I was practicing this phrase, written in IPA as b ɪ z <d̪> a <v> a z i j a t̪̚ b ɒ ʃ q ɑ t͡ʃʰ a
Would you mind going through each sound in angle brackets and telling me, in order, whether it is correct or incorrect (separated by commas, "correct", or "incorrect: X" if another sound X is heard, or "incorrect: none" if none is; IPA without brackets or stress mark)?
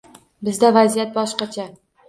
correct, correct